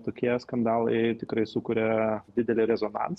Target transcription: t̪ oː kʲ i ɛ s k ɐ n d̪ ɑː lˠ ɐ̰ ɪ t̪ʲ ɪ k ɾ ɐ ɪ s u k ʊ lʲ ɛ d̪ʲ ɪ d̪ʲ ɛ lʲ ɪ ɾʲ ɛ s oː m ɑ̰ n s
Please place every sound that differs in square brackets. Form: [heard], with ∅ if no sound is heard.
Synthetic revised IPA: t̪ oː kʲ i ɛ s k ɐ n d̪ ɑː lˠ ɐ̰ ɪ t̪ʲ ɪ k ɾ ɐ ɪ s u k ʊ [ɾʲ] ɛ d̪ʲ ɪ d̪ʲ ɛ lʲ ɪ ɾʲ ɛ [z] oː [n] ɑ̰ n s

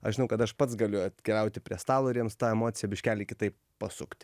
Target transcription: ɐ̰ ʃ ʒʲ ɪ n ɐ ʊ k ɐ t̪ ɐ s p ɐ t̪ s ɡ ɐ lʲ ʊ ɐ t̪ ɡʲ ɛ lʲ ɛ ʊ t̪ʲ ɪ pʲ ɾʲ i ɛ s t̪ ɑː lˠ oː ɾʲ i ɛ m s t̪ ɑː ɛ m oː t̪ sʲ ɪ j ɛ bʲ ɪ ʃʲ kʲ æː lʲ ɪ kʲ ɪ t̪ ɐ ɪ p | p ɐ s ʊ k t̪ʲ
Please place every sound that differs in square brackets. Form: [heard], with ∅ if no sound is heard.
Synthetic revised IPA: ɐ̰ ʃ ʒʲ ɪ n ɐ ʊ k ɐ t̪ ɐ [ʃ] p ɐ t̪ s ɡ ɐ lʲ ʊ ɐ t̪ [kʲ] ɛ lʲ ɛ ʊ t̪ʲ ɪ pʲ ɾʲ i ɛ s t̪ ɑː lˠ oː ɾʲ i ɛ m s t̪ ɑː ɛ m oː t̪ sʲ ɪ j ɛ bʲ ɪ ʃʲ kʲ æː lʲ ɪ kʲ ɪ t̪ ɐ ɪ p | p ɐ s ʊ k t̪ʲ

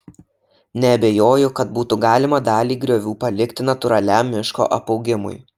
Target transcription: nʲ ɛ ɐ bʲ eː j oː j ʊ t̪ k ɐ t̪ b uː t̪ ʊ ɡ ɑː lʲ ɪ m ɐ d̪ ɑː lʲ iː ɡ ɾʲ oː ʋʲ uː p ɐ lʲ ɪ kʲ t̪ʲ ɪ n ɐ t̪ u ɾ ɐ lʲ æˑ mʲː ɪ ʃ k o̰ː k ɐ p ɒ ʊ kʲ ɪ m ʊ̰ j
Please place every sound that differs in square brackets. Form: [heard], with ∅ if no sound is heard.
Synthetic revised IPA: nʲ ɛ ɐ bʲ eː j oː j ʊ [∅] k ɐ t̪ b uː t̪ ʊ ɡ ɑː lʲ ɪ m ɐ d̪ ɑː lʲ iː ɡ ɾʲ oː ʋʲ uː p ɐ lʲ ɪ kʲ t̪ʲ ɪ n ɐ t̪ [ʊ] ɾ ɐ lʲ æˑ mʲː ɪ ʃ k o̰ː [ʔ] ɐ p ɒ ʊ [ɡʲ] ɪ m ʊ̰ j

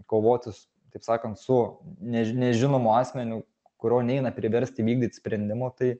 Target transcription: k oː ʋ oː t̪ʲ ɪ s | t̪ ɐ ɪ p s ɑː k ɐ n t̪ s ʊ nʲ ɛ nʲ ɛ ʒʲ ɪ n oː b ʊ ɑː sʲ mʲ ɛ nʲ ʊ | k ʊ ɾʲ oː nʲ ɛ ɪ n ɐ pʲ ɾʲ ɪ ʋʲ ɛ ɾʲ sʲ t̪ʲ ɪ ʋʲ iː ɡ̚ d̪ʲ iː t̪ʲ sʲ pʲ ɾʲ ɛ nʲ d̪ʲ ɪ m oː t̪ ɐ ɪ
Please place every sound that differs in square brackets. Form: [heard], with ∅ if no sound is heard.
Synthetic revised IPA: k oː ʋ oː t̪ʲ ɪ s | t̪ ɐ ɪ p s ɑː k ɐ n t̪ s ʊ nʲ ɛ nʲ ɛ ʒʲ ɪ n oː [m] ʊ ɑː sʲ mʲ ɛ nʲ ʊ | k ʊ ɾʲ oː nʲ ɛ ɪ n ɐ pʲ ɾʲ ɪ ʋʲ ɛ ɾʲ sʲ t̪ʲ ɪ ʋʲ iː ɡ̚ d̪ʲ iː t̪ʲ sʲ pʲ ɾʲ ɛ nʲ d̪ʲ ɪ m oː t̪ ɐ ɪ

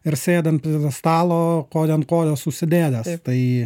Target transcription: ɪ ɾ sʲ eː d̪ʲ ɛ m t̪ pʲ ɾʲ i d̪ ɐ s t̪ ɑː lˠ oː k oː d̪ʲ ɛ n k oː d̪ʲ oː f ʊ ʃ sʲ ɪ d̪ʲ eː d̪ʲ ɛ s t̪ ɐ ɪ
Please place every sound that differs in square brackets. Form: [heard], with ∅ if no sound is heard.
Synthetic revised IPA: ɪ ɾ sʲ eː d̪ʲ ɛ [n] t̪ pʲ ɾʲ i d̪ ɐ s t̪ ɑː lˠ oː k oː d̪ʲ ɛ n k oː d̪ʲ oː [s] ʊ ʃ sʲ ɪ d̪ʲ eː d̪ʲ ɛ s t̪ ɐ ɪ

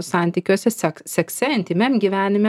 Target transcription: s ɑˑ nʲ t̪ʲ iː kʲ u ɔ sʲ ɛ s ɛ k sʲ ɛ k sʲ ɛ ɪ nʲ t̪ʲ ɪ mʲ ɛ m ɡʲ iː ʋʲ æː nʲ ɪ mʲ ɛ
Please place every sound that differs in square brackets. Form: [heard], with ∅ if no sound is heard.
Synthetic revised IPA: s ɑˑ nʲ t̪ʲ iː kʲ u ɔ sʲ ɛ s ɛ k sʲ ɛ k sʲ ɛ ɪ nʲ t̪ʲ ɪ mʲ ɛ m ɡʲ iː ʋʲ æː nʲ ɪ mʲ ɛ

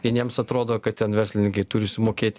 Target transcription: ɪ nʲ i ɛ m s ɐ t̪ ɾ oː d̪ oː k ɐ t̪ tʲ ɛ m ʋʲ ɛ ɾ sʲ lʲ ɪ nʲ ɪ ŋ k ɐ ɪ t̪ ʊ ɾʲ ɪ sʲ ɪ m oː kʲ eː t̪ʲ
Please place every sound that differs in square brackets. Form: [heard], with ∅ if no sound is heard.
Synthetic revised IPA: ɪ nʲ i ɛ m s ɐ t̪ ɾ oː d̪ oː k ɐ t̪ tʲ ɛ [n] ʋʲ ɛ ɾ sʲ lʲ ɪ nʲ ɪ ŋ k ɐ ɪ t̪ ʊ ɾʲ ɪ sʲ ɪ m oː kʲ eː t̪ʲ

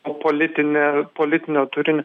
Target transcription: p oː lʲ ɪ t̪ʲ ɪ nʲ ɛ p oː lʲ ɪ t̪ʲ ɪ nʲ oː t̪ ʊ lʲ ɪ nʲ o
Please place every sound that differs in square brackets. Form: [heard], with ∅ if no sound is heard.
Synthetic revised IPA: p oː lʲ ɪ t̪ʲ ɪ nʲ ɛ p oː lʲ ɪ t̪ʲ ɪ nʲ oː t̪ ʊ [ɾʲ] ɪ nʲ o

